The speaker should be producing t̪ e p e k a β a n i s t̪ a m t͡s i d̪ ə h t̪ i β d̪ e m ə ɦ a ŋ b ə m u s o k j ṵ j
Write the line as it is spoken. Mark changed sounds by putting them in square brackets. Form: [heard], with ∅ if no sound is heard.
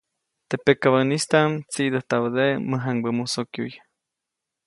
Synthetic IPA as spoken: t̪ e p e k a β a n i s t̪ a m t͡s i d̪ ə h t̪ [a] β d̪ e m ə ɦ a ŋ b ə m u s o k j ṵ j